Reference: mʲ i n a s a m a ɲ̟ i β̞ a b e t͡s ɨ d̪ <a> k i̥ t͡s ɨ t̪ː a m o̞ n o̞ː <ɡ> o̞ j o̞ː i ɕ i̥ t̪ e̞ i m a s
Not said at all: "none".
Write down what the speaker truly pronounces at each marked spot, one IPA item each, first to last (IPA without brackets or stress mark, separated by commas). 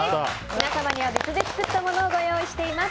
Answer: e, ɡ